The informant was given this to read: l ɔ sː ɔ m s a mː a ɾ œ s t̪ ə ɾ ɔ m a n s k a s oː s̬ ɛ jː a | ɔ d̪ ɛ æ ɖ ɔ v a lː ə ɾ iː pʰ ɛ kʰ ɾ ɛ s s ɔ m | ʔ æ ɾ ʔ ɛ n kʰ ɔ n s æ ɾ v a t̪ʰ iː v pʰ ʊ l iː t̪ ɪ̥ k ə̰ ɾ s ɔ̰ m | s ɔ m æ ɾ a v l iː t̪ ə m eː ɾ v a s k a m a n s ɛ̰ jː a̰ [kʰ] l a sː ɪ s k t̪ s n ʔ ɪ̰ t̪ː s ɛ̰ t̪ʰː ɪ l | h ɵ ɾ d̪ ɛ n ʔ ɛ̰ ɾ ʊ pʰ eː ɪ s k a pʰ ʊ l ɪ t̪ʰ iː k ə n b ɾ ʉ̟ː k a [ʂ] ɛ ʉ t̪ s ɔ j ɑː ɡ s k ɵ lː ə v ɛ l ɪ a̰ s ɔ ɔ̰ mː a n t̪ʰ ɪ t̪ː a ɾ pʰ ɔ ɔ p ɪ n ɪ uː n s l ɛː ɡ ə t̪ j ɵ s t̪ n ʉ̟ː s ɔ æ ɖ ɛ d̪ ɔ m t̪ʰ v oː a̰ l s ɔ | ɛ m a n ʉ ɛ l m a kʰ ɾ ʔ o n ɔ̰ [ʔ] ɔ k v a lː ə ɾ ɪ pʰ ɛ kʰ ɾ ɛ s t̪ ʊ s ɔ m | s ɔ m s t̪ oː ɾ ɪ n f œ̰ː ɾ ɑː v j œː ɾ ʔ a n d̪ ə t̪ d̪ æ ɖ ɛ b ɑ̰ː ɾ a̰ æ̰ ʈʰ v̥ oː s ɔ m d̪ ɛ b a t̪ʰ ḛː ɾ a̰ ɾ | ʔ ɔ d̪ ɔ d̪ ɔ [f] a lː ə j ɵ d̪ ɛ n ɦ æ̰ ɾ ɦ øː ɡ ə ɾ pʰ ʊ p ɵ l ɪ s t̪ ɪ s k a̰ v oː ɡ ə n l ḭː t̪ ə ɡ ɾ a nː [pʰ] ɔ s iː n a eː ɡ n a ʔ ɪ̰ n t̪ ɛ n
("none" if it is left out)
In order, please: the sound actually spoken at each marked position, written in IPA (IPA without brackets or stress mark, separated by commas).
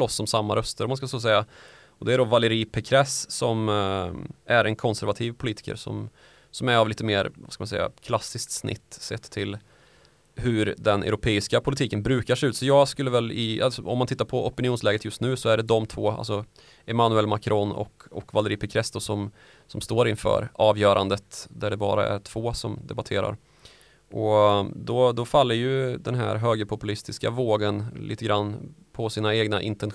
kʰ, ʂ, k, f, pʰ